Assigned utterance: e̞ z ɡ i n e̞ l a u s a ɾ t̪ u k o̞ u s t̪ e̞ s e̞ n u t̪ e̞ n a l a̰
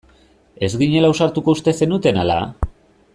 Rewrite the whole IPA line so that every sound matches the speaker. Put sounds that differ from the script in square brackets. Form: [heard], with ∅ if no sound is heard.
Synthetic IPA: e̞ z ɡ i [ɲ] e̞ l a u s a ɾ t̪ u k o̞ u s t̪ e̞ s e̞ n u t̪ e̞ n a l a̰

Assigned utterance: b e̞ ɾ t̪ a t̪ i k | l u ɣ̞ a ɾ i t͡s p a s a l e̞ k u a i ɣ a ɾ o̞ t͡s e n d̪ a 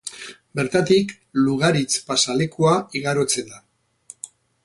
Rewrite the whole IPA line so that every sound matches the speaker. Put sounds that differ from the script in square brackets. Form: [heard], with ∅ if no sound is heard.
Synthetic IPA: b e̞ ɾ t̪ a t̪ i k | l u ɣ̞ a ɾ i t͡s p a s a l e̞ k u a i ɣ a ɾ o̞ t͡s e n d̪ a

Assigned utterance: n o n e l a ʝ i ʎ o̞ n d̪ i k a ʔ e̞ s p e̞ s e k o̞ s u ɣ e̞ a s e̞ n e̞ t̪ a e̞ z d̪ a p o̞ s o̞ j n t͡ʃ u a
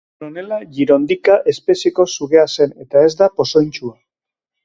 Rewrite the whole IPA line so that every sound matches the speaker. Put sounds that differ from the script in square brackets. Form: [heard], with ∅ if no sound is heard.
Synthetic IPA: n o n e l a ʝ i [ɾ] o̞ n d̪ i k a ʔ e̞ s p e̞ s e k o̞ s u ɣ e̞ a s e̞ n e̞ t̪ a e̞ z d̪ a p o̞ s o̞ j n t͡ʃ u a

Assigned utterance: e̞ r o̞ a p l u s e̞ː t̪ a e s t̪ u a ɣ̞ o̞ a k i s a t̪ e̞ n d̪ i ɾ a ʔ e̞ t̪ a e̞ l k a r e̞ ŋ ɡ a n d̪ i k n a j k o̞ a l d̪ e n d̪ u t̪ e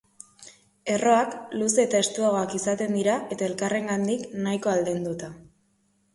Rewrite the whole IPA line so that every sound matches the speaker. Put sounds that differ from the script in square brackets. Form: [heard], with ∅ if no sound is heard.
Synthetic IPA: e̞ r o̞ a [k] l u s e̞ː t̪ a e s t̪ u a ɣ̞ o̞ a k i s a t̪ e̞ n d̪ i ɾ a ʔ e̞ t̪ a e̞ l k a r e̞ ŋ ɡ a n d̪ i k n a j k o̞ a l d̪ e n d̪ u t̪ [a]

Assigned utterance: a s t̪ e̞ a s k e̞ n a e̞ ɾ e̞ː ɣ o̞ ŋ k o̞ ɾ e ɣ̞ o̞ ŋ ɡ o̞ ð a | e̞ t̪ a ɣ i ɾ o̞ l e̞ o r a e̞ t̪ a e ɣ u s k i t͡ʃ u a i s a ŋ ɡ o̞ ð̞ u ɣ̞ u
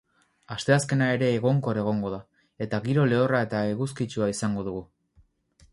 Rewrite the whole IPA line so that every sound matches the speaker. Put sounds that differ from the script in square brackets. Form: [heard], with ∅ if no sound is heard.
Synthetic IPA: a s t̪ e̞ a s k e̞ n a e̞ ɾ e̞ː ɣ o̞ ŋ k o̞ ɾ e ɣ̞ o̞ ŋ ɡ o̞ ð a | e̞ t̪ a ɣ i ɾ o̞ l e̞ o r a e̞ t̪ a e ɣ u s k i t͡ʃ u a i s a ŋ ɡ o̞ ð̞ u ɣ̞ u

